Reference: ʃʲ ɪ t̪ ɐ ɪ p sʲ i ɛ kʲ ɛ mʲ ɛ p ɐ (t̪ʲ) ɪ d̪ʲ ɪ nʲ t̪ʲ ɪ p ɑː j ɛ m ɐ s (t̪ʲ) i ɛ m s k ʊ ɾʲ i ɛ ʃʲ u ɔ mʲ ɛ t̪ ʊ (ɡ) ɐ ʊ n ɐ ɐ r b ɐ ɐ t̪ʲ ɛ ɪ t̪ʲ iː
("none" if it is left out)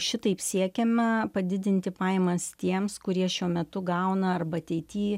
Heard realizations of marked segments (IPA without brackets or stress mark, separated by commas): d̪ʲ, t̪ʲ, ɡ